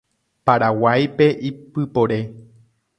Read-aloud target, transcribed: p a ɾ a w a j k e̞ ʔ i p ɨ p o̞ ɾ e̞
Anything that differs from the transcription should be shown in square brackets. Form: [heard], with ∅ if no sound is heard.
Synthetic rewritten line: p a ɾ a w a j [p] e̞ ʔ i p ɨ p o̞ ɾ e̞